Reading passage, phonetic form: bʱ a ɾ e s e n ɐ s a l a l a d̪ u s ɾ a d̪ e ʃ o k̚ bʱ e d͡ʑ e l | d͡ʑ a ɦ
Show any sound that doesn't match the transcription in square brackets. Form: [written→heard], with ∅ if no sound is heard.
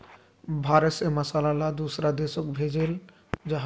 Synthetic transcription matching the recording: bʱ a ɾ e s e [n→m] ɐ s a l a l a d̪ u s ɾ a d̪ e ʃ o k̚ bʱ e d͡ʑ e l | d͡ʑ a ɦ

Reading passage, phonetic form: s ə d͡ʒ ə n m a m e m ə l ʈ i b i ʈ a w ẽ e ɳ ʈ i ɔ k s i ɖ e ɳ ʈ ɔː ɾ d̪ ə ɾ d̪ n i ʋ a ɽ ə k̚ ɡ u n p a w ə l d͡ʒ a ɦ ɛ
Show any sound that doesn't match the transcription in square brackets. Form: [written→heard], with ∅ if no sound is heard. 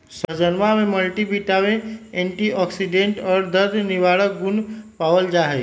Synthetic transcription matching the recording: s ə d͡ʒ ə n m a m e m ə l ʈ i b i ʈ a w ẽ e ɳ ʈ i ɔ k s i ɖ e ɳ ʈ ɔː ɾ d̪ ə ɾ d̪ n i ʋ a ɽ ə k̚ ɡ u n p a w ə l d͡ʒ a ɦ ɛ

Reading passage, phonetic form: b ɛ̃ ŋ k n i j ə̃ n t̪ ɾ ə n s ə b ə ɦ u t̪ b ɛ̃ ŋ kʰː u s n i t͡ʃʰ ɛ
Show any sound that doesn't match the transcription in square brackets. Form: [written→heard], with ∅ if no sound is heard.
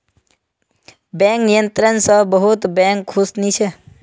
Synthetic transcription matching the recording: b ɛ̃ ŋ k n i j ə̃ n t̪ ɾ ə n s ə b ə ɦ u t̪ b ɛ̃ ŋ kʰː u s n i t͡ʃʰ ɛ

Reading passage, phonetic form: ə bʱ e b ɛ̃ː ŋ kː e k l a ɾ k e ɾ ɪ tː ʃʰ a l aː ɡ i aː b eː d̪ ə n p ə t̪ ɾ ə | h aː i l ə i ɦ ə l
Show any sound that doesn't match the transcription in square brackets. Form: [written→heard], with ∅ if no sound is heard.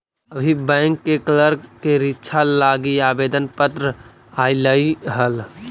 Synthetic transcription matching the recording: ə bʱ [e→i] b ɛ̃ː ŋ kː e k l [a→ə] ɾ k e ɾ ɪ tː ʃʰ a l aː ɡ i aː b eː d̪ ə n p ə t̪ ɾ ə | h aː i l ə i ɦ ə l

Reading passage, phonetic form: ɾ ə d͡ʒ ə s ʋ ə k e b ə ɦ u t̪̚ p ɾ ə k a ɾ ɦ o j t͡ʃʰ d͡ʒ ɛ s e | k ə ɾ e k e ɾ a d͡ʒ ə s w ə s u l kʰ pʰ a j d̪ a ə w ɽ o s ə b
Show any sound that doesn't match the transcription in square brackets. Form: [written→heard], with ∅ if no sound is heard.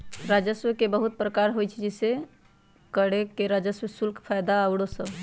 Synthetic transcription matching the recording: ɾ [ə→a] d͡ʒ ə s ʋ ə k e b ə ɦ u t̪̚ p ɾ ə k a ɾ ɦ o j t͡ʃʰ d͡ʒ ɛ s e | k ə [ɾ→ɽ] e k e ɾ a d͡ʒ ə s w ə s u l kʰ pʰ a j d̪ a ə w ɽ o s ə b

